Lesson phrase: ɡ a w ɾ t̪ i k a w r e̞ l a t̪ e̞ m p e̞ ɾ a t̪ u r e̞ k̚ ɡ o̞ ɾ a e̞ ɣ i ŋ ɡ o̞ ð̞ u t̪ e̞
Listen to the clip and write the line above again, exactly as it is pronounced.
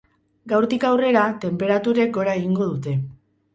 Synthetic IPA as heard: ɡ a w ɾ t̪ i k a w r e̞ ɾ a t̪ e̞ m p e̞ ɾ a t̪ u ɾ e̞ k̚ ɡ o̞ ɾ a e̞ ɣ i ŋ ɡ o̞ ð̞ u t̪ e̞

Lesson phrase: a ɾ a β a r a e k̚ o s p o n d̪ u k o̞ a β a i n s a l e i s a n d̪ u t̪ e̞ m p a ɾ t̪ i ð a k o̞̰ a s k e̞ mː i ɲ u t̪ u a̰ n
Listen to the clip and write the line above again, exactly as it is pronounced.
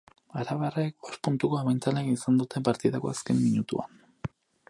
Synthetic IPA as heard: a ɾ a β a r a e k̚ o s p u n t̪ u k o̞ a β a j n t͡s a l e i s a n d̪ u t̪ e̞ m p a ɾ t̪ i ð a k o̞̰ a s k e̞ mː i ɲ u t̪ u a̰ n

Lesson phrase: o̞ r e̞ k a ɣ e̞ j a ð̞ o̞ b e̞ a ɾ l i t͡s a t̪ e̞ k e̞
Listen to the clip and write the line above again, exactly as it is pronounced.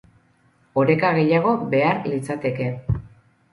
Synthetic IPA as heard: o̞ ɾ e̞ k a ɣ e̞ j a ɣ̞ o̞ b e̞ a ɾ l i t͡s a t̪ e̞ k e̞

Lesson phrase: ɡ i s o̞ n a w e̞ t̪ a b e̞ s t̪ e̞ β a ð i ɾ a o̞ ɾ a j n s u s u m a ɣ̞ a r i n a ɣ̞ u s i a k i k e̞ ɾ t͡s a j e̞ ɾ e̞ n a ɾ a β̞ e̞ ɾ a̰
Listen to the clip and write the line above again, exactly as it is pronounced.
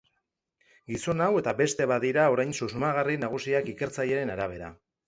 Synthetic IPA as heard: ɡ i s o̞ n a w e̞ t̪ a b e̞ s t̪ e̞ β a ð i ɾ a o̞ ɾ a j n s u s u m a ɣ̞ a r i n a ɣ̞ u s i a k i k e̞ ɾ t͡s a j e̞ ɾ e̞ n a ɾ a β̞ e̞ ɾ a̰

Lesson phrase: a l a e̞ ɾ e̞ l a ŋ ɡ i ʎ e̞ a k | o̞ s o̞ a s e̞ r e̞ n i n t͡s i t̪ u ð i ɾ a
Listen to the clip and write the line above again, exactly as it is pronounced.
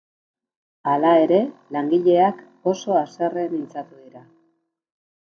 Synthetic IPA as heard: a l a e̞ ɾ e̞ l a ŋ ɡ i ʎ e̞ a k | o̞ s o̞ a s e̞ r e̞ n i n t͡s a t̪ u ð i ɾ a

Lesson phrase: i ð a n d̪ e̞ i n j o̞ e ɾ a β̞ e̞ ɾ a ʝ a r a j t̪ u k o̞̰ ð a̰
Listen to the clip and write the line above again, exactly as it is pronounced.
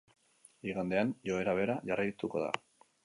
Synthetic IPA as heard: i ɣ a n d̪ e̞ a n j o̞ e ɾ a β̞ e̞ ɾ a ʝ a r a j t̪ u k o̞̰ ð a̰

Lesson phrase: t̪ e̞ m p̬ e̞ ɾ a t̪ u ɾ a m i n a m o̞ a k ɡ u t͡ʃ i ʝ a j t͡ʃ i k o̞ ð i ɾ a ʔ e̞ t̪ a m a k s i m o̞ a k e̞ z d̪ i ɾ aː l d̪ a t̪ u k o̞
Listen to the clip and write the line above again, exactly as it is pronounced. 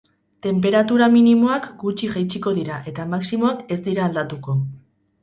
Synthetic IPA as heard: t̪ e̞ m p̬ e̞ ɾ a t̪ u ɾ a m i n i m o̞ a k ɡ u t͡ʃ i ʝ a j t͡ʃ i k o̞ ð i ɾ a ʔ e̞ t̪ a m a k s i m o̞ a k e̞ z d̪ i ɾ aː l d̪ a t̪ u k o̞

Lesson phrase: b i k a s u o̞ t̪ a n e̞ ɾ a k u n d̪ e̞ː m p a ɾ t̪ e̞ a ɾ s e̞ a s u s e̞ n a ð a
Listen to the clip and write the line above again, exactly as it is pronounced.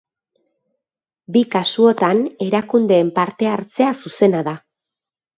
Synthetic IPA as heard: b i k a s u o̞ t̪ a n e̞ ɾ a k u n d̪ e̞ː m p a ɾ t̪ e̞ a ɾ t͡s e̞ a s u s e̞ n a ð a

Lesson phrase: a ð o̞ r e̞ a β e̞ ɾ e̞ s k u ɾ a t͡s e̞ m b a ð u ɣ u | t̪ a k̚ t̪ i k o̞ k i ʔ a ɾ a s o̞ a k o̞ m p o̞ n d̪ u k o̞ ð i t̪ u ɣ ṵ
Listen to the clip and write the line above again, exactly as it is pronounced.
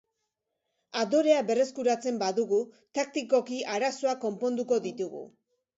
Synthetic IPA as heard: a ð o̞ ɾ e̞ a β e̞ r e̞ s k u ɾ a t͡s e̞ m b a ð u ɣ u | t̪ a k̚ t̪ i k o̞ k i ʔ a ɾ a s o̞ a k o̞ m p o̞ n d̪ u k o̞ ð i t̪ u ɣ ṵ

